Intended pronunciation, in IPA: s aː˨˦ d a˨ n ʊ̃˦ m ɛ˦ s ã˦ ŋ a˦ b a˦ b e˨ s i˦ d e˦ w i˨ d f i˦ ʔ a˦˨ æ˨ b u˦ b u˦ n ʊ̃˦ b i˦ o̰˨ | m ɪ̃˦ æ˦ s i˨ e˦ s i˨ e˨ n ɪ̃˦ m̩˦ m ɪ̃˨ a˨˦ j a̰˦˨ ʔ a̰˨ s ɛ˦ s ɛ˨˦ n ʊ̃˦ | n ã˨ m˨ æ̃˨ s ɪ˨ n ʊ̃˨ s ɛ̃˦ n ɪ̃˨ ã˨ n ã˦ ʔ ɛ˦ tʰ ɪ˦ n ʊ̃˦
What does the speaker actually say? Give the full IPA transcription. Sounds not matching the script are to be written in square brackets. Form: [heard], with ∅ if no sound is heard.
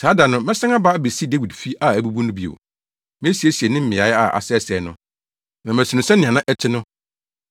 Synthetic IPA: s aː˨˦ d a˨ n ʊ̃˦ m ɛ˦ s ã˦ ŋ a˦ b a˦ b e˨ s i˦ d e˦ w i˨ d f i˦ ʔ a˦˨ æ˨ b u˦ b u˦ n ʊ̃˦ b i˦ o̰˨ | m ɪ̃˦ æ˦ s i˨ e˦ s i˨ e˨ n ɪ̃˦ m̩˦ m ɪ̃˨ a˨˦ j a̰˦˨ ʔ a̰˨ s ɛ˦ s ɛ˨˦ n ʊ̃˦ | n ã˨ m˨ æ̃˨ s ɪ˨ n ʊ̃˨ s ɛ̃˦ n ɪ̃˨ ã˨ n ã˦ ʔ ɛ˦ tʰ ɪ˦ n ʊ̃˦